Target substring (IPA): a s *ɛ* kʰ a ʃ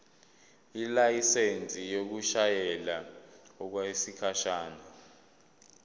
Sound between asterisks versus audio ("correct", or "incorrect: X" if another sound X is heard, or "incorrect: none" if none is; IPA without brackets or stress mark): incorrect: i